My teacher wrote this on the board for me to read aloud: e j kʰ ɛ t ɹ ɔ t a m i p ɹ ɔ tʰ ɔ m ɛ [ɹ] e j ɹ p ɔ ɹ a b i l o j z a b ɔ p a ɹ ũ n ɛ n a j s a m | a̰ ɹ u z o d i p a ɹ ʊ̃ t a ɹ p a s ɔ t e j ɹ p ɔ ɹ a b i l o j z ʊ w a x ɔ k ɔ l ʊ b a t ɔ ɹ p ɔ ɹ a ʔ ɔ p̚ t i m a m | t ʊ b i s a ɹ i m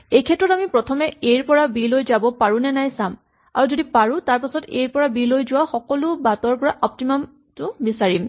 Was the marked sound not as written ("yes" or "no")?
yes